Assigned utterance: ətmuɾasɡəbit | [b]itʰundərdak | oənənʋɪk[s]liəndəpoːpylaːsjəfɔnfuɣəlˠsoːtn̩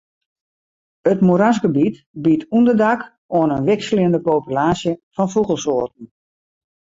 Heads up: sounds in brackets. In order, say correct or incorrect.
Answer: correct, correct

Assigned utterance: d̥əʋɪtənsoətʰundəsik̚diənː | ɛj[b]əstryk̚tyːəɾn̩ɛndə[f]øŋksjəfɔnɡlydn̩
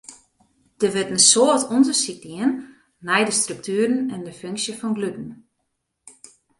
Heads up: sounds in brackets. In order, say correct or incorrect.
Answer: incorrect: d, correct

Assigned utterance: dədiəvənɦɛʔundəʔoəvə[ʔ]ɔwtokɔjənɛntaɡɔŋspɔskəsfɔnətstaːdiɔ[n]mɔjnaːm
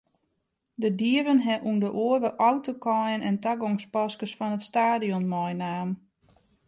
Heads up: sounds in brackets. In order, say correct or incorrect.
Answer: correct, correct

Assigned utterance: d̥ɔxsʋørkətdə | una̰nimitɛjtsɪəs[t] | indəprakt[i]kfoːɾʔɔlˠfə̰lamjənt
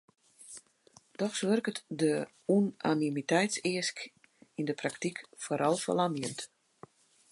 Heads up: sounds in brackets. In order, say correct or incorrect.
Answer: incorrect: k, correct

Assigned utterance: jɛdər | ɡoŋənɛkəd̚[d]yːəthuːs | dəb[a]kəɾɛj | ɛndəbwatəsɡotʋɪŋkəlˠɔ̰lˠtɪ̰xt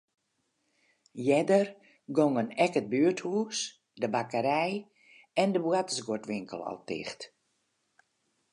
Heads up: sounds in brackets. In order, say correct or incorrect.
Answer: incorrect: b, correct

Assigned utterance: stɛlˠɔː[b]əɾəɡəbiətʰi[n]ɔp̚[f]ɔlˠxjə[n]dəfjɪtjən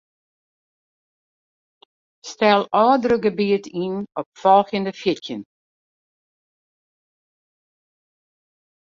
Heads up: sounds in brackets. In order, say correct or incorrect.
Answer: incorrect: d, correct, correct, correct

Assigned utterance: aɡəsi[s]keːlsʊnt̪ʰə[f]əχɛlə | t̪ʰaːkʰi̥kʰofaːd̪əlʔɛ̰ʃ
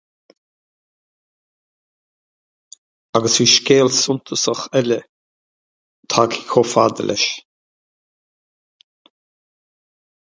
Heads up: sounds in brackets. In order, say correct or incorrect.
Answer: incorrect: ʃ, incorrect: s

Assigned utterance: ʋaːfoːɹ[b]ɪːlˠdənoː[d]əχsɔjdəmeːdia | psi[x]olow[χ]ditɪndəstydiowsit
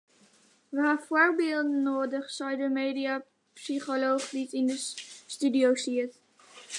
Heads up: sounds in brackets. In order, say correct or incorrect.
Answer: correct, correct, incorrect: χ, correct

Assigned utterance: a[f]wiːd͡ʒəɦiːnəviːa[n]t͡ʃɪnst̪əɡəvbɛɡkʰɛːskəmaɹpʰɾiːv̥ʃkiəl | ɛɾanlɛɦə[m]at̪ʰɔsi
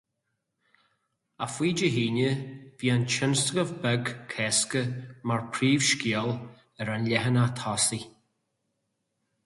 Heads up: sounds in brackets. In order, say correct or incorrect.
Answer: correct, correct, incorrect: n

